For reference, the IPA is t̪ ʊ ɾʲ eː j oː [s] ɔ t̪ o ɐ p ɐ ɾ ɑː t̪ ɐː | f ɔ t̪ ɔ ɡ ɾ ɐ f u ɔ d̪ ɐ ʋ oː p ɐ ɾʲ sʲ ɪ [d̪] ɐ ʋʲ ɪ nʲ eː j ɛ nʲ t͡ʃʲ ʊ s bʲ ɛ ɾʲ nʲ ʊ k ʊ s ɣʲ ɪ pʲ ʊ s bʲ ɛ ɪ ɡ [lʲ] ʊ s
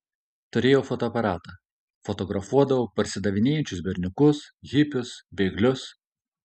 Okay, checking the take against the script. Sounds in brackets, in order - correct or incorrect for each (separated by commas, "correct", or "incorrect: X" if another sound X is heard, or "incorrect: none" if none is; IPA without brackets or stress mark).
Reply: incorrect: f, correct, correct